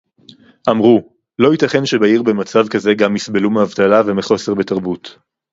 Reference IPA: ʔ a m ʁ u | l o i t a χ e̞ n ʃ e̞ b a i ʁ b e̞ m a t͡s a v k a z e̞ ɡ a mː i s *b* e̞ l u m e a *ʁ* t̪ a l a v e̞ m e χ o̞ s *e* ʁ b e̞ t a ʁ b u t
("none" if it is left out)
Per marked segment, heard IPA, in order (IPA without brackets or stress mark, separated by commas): b, v, e